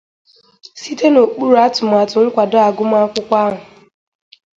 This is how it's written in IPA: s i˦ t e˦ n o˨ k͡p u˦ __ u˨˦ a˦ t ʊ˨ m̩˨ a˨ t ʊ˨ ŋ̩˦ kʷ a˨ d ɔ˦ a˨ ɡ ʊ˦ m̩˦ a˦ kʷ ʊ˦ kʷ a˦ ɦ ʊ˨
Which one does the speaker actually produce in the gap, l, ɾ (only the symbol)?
ɾ